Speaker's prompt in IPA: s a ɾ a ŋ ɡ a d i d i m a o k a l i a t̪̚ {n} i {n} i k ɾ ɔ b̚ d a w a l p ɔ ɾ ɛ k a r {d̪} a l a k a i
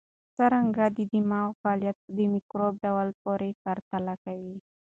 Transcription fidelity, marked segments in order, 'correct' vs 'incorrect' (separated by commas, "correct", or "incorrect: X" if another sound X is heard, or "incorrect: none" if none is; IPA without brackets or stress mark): incorrect: d, incorrect: m, incorrect: t̪